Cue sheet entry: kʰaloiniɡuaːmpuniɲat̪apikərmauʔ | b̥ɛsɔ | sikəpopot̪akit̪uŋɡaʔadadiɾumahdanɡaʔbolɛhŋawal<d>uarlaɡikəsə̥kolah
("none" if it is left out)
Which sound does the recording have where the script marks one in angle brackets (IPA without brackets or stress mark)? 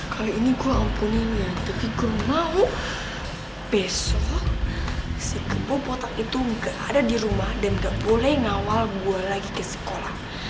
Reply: b